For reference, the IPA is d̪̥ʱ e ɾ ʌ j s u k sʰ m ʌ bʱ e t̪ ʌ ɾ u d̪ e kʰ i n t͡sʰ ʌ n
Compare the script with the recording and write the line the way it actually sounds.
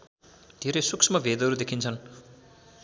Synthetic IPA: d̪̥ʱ e ɾ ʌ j s u k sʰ m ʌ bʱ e d̪ ʌ ɾ u d̪ e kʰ i n t͡sʰ ʌ n